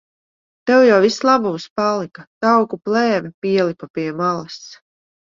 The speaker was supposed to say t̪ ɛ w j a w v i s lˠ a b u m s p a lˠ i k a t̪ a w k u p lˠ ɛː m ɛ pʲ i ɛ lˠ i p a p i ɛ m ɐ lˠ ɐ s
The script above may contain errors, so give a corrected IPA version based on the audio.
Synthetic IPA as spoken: t̪ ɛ w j a w v i s lˠ a b u m s p a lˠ i k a t̪ a w k u p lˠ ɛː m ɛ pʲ i ɛ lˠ i p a p i ɛ m a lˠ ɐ s